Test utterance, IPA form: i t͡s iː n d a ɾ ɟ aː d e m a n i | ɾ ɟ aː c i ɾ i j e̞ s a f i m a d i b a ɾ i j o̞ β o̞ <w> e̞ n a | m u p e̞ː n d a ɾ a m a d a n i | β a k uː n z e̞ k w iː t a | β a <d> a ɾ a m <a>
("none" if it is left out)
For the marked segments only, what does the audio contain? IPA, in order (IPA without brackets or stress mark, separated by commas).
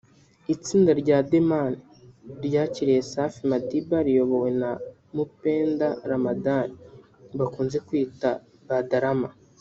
w, d, a